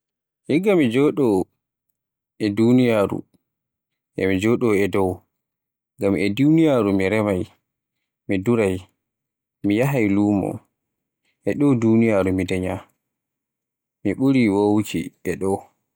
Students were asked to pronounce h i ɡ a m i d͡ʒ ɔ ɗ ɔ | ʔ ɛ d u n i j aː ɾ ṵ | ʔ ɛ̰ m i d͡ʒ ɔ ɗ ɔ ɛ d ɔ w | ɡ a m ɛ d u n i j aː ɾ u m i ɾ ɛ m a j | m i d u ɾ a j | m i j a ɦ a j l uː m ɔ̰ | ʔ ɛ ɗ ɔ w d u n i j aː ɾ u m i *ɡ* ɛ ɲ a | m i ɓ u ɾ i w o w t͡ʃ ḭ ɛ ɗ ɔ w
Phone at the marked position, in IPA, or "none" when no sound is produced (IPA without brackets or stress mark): d